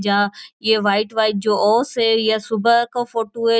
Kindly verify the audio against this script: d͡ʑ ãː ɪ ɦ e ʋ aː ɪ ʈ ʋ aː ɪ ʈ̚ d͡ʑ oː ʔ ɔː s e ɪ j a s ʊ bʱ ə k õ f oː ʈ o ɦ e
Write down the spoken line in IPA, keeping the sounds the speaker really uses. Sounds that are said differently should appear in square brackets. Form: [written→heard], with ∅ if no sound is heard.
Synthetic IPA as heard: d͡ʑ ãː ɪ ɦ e ʋ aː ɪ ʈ ʋ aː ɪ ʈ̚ d͡ʑ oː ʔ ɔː s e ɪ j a s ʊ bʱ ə k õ f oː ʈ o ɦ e

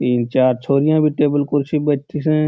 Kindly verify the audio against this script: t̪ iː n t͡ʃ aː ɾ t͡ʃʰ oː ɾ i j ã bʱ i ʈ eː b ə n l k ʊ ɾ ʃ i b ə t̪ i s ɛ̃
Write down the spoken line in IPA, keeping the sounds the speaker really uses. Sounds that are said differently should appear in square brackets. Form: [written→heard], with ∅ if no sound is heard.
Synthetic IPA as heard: t̪ iː n t͡ʃ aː ɾ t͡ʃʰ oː ɾ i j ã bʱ i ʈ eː b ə [n→∅] l k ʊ ɾ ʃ i b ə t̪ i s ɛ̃

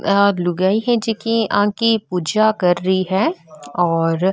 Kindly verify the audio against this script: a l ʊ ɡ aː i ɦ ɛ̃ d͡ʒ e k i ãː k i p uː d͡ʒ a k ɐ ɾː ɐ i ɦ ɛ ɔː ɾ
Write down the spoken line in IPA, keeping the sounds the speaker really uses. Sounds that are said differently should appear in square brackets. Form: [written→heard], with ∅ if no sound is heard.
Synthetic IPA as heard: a l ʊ ɡ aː i ɦ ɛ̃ d͡ʒ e k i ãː k i p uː d͡ʒ a k ɐ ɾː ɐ i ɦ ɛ ɔː ɾ

